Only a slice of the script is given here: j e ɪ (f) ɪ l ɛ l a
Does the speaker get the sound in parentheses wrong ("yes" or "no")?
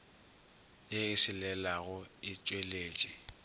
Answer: yes